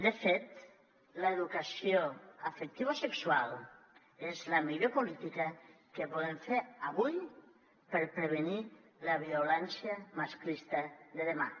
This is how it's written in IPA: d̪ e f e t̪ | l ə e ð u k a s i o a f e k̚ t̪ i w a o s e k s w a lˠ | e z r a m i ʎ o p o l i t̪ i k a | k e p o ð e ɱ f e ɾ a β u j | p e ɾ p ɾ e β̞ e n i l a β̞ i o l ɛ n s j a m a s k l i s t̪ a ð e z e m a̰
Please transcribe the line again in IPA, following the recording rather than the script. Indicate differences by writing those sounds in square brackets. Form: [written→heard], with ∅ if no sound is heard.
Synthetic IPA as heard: d̪ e f e t̪ | l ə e ð u k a s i o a f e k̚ t̪ i [w→β] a o s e k s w a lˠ | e z [r→l] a m i ʎ o p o l i t̪ i k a | k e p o ð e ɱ f e ɾ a β u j | p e ɾ p ɾ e β̞ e n i l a β̞ i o l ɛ n s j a m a s k l i s t̪ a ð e [z→ð] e m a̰